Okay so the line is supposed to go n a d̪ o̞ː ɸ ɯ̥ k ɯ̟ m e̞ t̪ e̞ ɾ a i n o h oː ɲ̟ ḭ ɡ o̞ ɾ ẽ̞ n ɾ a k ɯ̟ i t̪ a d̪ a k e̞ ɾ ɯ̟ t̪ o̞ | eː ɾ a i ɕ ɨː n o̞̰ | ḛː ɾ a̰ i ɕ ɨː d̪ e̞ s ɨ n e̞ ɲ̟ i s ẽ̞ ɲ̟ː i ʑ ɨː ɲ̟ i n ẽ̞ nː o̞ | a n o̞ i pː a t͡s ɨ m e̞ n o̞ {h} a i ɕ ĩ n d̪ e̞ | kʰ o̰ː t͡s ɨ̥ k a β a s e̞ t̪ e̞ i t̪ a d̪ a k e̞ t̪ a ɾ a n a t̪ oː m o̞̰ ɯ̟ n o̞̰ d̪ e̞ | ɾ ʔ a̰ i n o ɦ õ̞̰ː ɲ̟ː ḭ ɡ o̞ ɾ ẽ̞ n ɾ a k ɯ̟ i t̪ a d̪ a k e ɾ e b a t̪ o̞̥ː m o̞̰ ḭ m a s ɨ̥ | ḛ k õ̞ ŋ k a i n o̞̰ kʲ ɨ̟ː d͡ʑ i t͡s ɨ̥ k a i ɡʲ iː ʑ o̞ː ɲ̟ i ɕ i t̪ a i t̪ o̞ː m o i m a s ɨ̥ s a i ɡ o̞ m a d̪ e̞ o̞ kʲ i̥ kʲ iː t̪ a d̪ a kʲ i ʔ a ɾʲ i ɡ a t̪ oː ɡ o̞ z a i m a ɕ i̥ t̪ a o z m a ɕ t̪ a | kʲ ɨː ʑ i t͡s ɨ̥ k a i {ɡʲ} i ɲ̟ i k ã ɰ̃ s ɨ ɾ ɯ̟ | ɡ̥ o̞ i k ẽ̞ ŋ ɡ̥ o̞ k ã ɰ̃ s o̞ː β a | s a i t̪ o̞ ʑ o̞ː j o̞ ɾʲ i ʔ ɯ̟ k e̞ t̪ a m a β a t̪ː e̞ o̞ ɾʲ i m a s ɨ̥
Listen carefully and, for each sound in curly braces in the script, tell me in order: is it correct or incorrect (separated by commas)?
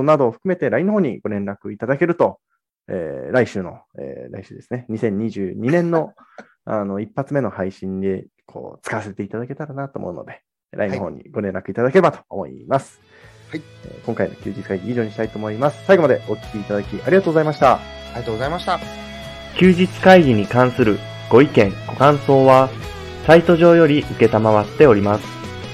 correct, correct